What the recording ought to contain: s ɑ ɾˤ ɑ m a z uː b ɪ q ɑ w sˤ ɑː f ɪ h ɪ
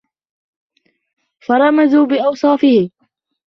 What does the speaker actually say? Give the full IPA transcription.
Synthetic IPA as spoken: f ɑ ɾˤ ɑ m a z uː b ɪ ʔ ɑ w sˤ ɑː f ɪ h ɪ